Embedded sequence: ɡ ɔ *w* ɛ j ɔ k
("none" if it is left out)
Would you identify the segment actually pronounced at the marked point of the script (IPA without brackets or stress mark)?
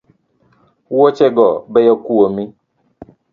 b